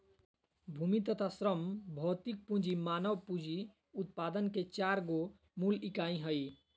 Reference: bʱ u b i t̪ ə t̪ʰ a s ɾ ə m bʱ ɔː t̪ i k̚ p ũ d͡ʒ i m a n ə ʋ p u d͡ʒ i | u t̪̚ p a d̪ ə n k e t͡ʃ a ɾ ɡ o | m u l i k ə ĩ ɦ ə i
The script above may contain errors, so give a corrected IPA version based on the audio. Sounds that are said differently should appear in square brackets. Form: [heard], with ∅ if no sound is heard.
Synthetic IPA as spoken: bʱ u [m] i t̪ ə t̪ʰ a s ɾ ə m bʱ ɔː t̪ i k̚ p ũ d͡ʒ i m a n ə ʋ p u d͡ʒ i | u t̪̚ p a d̪ ə n k e t͡ʃ a ɾ ɡ o | m u l i k [a] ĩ ɦ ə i